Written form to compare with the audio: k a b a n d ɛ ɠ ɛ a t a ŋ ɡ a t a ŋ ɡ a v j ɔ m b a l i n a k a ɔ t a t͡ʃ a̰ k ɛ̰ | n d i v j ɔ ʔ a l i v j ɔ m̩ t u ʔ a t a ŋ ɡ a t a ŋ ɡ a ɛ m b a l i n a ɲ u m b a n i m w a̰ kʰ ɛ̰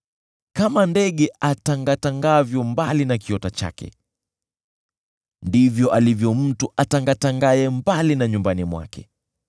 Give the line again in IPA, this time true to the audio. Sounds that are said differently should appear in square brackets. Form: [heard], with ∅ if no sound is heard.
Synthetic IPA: k a [m] a n d ɛ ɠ ɛ a t a ŋ ɡ a t a ŋ ɡ a v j ɔ m b a l i n a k [i] ɔ t a t͡ʃ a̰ k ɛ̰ | n d i v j ɔ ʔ a l i v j ɔ m̩ t u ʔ a t a ŋ ɡ a t a ŋ ɡ a ɛ m b a l i n a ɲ u m b a n i m w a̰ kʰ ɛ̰